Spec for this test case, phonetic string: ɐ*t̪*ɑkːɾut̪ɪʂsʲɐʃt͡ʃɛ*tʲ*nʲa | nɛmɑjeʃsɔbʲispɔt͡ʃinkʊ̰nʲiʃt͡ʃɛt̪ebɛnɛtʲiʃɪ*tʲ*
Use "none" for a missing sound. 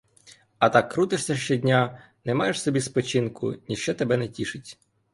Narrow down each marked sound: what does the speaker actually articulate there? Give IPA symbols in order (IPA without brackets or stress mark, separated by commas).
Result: t̪, dʲ, tʲ